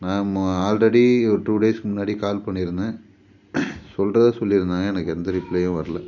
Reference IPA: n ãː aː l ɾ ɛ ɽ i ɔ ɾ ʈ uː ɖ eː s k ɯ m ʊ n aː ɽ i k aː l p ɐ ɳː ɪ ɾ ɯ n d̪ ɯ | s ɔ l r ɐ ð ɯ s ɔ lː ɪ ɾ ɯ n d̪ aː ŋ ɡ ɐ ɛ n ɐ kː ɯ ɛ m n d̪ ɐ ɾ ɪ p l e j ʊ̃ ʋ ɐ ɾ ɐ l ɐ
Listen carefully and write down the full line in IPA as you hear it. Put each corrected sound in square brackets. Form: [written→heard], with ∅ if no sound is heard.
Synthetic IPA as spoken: n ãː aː l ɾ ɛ ɽ i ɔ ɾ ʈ uː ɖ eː s k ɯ m ʊ [n→nː] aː ɽ i k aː l p ɐ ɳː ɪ ɾ ɯ n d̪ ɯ | s ɔ l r ɐ ð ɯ s ɔ lː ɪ ɾ ɯ n d̪ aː ŋ ɡ ɐ ɛ n ɐ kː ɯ ɛ [m→∅] n d̪ ɐ ɾ ɪ p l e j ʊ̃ ʋ ɐ ɾ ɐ l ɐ

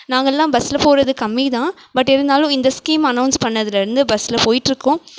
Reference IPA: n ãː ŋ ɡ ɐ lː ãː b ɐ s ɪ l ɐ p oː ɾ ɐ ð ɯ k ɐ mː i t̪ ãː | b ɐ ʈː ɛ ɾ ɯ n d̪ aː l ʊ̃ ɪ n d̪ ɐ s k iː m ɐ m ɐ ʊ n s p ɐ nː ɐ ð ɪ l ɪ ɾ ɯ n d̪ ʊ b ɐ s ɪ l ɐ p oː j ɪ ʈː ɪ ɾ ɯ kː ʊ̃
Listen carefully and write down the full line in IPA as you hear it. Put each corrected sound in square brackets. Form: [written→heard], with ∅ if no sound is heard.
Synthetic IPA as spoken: n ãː ŋ ɡ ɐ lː ãː b ɐ s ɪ l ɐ p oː ɾ ɐ ð ɯ k ɐ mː i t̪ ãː | b ɐ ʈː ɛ ɾ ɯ n d̪ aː l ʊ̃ ɪ n d̪ ɐ s k iː m ɐ [m→n] ɐ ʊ n s p ɐ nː ɐ ð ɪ l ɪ ɾ ɯ n d̪ [ʊ→ɯ] b ɐ s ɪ l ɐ p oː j ɪ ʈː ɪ ɾ ɯ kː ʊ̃

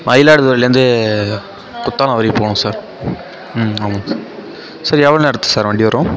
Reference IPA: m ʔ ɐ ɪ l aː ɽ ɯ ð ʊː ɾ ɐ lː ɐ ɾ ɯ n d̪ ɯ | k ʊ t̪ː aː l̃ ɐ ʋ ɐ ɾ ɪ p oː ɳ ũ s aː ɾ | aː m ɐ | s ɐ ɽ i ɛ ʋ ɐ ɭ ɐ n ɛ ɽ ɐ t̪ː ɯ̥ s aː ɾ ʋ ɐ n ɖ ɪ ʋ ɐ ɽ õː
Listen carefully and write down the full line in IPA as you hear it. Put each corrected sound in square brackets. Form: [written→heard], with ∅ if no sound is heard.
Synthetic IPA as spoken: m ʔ ɐ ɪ l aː ɽ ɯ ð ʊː ɾ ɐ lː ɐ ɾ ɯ n d̪ ɯ | k ʊ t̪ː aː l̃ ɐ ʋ ɐ ɾ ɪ p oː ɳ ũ s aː ɾ | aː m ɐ | s ɐ [ɽ→ɾ] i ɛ ʋ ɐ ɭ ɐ n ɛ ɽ ɐ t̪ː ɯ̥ s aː ɾ ʋ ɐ [n→ɳ] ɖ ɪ ʋ ɐ [ɽ→ɾ] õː

